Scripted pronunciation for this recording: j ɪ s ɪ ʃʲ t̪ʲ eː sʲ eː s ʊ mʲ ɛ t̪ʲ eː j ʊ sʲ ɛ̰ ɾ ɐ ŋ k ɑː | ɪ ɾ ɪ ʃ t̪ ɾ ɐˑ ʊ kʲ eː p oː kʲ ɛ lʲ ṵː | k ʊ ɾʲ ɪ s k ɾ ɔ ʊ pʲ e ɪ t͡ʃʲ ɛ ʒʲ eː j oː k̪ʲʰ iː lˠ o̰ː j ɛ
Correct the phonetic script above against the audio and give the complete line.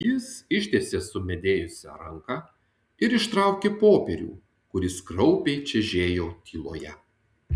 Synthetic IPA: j ɪ s ɪ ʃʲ t̪ʲ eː sʲ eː s ʊ mʲ ɛ d̪ʲ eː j ʊ sʲ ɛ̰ ɾ ɐ ŋ k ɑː | ɪ ɾ ɪ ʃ t̪ ɾ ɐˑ ʊ kʲ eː p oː pʲ ɛ ɾʲ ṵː | k ʊ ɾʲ ɪ s k ɾ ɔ ʊ pʲ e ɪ t͡ʃʲ ɛ ʒʲ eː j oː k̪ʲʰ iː lˠ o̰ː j ɛ